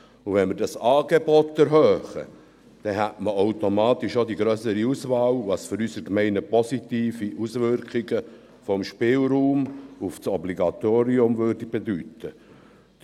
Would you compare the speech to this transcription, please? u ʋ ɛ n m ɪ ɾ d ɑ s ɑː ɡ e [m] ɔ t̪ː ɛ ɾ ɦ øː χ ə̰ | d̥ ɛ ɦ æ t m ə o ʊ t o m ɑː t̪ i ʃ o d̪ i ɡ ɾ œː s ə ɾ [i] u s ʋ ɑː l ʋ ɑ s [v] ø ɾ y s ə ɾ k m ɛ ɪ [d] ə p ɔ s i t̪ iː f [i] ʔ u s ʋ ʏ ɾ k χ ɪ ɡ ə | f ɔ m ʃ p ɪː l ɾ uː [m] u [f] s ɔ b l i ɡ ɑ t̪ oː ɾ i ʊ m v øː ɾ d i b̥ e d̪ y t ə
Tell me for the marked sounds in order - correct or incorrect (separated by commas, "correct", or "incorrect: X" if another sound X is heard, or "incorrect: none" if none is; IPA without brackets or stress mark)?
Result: incorrect: b, correct, incorrect: f, incorrect: n, correct, correct, correct